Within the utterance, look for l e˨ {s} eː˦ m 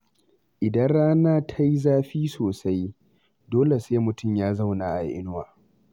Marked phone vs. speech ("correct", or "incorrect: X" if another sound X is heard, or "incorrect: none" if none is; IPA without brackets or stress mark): correct